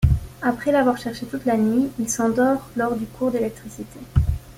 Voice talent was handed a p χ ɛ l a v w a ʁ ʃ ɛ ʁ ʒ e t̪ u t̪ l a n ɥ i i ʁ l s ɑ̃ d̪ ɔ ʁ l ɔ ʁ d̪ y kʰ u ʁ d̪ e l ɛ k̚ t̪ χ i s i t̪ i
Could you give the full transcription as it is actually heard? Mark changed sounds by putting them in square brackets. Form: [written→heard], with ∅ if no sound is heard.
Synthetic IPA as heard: a p χ ɛ l a v w a ʁ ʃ ɛ ʁ [ʒ→ʃ] e t̪ u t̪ l a n ɥ i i [ʁ→∅] l s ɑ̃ d̪ ɔ ʁ l ɔ ʁ d̪ y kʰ u ʁ d̪ e l ɛ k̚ t̪ χ i s i t̪ [i→e]